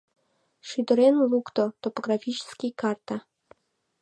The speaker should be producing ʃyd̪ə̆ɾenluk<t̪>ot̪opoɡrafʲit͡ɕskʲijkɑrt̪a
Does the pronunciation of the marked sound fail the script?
no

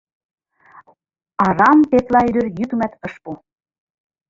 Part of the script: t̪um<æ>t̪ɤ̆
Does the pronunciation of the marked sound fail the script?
no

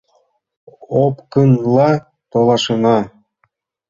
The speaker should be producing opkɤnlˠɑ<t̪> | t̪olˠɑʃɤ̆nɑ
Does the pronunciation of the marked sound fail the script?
yes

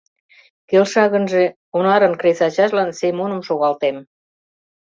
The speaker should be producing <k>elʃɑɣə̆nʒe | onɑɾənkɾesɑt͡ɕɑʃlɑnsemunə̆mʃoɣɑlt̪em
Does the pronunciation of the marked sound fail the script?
no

